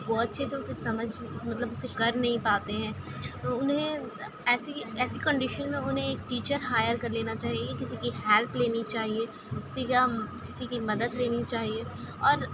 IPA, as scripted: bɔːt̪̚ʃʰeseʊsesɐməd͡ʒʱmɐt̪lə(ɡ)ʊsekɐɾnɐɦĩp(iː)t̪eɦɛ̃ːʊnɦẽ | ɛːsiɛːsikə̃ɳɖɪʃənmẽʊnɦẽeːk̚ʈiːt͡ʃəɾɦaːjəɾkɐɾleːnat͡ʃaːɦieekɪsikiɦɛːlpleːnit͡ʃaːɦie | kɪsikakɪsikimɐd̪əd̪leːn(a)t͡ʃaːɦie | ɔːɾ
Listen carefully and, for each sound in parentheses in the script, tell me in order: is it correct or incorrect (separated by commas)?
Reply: incorrect, incorrect, incorrect